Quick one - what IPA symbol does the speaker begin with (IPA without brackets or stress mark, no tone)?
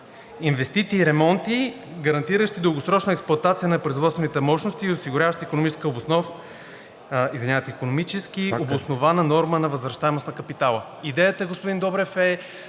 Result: i